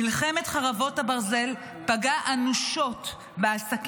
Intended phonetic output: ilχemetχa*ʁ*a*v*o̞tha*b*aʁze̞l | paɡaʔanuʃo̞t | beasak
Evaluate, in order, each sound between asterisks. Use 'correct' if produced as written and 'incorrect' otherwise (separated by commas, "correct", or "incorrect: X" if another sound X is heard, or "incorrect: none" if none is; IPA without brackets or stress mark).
correct, correct, correct